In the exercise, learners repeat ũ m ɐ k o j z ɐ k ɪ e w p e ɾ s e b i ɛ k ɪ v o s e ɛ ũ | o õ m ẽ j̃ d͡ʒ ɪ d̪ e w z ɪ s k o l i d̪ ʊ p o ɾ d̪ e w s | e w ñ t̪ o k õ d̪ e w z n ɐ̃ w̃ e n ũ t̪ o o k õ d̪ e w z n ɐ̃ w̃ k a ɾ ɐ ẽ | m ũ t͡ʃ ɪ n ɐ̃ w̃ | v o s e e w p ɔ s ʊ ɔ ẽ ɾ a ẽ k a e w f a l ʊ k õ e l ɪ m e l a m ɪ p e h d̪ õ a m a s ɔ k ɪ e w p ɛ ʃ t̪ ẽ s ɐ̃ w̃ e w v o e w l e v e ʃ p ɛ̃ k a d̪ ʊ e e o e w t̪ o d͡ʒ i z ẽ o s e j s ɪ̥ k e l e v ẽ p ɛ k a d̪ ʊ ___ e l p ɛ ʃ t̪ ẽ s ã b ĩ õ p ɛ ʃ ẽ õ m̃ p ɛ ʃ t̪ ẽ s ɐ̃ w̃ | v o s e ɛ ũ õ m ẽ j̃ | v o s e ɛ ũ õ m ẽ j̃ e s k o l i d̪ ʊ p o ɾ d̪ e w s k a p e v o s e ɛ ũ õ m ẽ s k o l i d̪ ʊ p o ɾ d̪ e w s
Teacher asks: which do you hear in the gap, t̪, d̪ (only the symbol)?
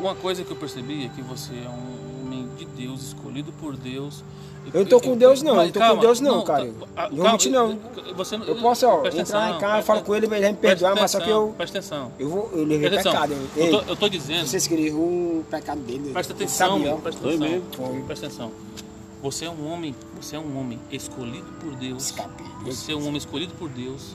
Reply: d̪